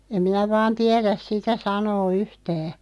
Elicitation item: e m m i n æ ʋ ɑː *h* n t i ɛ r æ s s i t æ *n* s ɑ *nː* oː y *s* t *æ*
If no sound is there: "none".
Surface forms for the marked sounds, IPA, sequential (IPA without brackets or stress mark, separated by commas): none, none, n, h, æː